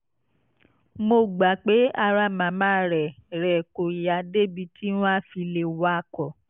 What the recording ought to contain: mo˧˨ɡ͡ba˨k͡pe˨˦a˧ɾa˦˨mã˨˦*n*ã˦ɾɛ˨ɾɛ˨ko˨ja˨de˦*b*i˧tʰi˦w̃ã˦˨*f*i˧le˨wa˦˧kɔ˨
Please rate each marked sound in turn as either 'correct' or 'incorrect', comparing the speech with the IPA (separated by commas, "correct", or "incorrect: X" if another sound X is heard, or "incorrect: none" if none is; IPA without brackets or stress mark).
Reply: incorrect: m, correct, correct